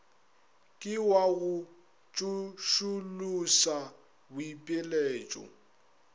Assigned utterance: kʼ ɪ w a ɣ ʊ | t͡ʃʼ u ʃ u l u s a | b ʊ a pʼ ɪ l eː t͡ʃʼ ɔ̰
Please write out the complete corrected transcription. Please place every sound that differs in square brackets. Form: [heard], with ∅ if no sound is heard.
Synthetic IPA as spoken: kʼ ɪ w a ɣ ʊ | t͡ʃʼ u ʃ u l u s a | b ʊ [i] pʼ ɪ l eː t͡ʃʼ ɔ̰